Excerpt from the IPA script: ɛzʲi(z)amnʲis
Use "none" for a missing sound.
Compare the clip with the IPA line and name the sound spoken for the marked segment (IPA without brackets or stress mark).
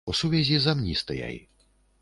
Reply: z